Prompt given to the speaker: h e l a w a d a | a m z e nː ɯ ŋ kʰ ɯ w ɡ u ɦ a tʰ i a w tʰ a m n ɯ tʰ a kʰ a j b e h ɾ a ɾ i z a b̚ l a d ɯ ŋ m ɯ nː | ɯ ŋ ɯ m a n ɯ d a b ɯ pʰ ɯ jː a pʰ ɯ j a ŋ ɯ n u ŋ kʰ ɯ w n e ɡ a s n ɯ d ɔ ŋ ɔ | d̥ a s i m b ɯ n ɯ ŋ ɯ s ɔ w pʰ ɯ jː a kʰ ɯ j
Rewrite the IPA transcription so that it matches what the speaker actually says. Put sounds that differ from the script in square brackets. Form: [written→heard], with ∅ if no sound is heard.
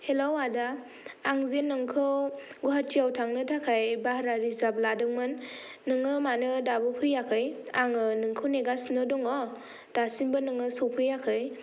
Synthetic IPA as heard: h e l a w a d a | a [m→ŋ] z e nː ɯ ŋ kʰ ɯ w ɡ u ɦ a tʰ i a w tʰ a [m→ŋ] n ɯ tʰ a kʰ a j b [e→a] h ɾ a ɾ i z a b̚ l a d ɯ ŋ m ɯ nː | ɯ ŋ ɯ m a n ɯ d a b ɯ pʰ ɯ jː a [pʰ→kʰ] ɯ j a ŋ ɯ n [u→ɯ] ŋ kʰ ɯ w n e ɡ a s n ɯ d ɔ ŋ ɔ | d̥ a s i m b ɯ n ɯ ŋ ɯ s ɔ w pʰ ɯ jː a kʰ ɯ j